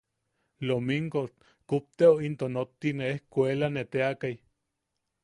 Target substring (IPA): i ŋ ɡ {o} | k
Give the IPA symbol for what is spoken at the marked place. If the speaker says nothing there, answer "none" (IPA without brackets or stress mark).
o